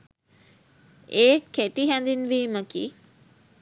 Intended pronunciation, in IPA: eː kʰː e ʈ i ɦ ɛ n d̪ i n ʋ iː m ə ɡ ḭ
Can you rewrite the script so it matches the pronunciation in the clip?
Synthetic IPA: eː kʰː e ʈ i ɦ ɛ n d̪ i n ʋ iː m ə k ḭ